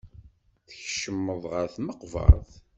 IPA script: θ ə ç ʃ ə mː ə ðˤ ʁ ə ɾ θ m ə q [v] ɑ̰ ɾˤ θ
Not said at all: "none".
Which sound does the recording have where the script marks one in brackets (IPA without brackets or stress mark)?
v